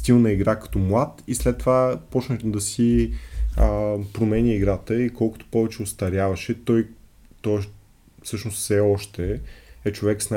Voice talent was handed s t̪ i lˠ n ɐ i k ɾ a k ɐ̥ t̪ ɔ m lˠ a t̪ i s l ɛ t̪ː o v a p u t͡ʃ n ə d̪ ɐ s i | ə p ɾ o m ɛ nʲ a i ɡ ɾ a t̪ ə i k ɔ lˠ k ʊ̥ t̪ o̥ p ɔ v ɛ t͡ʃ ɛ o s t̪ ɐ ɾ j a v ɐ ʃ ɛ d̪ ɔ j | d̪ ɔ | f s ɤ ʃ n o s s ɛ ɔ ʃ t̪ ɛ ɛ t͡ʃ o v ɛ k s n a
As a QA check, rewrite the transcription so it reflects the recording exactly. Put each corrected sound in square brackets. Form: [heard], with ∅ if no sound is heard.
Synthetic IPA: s t̪ i lˠ n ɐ i [ɡ] ɾ a k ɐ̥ t̪ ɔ m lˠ a t̪ i s l ɛ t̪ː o v a p [ɔ] t͡ʃ n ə d̪ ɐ s i | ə p ɾ o m ɛ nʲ [i] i ɡ ɾ a t̪ ə i k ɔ lˠ k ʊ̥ t̪ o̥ p ɔ v ɛ t͡ʃ ɛ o s t̪ ɐ ɾ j a v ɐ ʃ ɛ [t̪] ɔ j | [t̪] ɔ | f s ɤ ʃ n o s s ɛ ɔ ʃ t̪ ɛ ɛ t͡ʃ o v ɛ k s n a